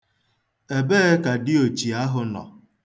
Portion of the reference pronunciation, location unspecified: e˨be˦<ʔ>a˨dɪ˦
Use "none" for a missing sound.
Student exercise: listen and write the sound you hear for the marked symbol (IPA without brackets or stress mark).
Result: k